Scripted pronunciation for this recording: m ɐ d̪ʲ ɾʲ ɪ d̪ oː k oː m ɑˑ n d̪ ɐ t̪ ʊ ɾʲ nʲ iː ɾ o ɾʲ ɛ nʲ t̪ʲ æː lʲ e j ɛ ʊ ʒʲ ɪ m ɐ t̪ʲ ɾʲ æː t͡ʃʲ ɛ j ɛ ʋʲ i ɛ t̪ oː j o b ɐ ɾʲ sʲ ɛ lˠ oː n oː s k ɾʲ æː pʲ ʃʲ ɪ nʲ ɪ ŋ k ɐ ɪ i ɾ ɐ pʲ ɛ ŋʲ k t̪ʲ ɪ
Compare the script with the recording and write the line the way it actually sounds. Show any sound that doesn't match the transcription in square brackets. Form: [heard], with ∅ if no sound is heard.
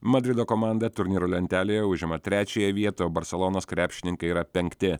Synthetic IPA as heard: m ɐ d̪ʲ ɾʲ ɪ d̪ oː k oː m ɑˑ n d̪ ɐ t̪ ʊ ɾʲ nʲ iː ɾ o [lʲ] ɛ nʲ t̪ʲ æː lʲ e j ɛ ʊ ʒʲ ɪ m ɐ t̪ʲ ɾʲ æː t͡ʃʲ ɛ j ɛ ʋʲ i ɛ t̪ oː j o b ɐ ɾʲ sʲ ɛ lˠ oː n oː s k ɾʲ æː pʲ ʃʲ ɪ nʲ ɪ ŋ k ɐ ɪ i ɾ ɐ pʲ ɛ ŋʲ k t̪ʲ ɪ